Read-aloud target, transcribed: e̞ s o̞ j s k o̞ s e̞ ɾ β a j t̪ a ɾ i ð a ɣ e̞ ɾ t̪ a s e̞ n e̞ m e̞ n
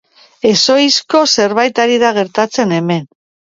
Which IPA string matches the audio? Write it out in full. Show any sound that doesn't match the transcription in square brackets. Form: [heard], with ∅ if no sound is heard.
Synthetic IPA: e̞ s o̞ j s k o̞ s e̞ ɾ β a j t̪ a ɾ i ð a ɣ e̞ ɾ t̪ a [t͡s] e̞ n e̞ m e̞ n